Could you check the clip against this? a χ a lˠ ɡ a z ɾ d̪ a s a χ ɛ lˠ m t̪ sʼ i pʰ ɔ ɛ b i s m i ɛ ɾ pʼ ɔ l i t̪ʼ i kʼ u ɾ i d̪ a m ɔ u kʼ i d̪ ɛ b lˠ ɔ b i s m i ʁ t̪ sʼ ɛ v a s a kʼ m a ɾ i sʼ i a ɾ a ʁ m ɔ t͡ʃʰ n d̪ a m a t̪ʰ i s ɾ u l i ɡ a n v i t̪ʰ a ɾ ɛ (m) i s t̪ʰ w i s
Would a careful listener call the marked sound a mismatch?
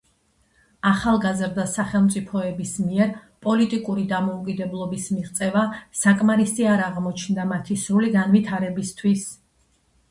yes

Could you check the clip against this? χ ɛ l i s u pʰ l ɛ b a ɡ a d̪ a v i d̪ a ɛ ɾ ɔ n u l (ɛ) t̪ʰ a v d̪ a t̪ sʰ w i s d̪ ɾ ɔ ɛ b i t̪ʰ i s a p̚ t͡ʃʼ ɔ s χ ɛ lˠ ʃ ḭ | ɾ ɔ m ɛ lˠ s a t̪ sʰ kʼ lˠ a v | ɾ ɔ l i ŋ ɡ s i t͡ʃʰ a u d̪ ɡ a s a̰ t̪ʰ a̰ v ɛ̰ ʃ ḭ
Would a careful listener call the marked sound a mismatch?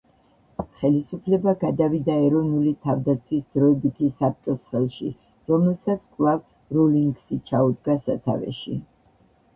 yes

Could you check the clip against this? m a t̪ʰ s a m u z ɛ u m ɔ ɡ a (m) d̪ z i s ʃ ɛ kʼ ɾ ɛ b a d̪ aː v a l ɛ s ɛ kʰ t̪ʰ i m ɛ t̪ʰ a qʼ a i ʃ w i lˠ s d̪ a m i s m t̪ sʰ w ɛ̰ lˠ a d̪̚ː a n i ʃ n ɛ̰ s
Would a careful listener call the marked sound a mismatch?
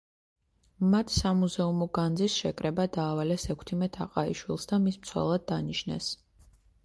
yes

